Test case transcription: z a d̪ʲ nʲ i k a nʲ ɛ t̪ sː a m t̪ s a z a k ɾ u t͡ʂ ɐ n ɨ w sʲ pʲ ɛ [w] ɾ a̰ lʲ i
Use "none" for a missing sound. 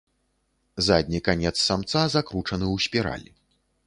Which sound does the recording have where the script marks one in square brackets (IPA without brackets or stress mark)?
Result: none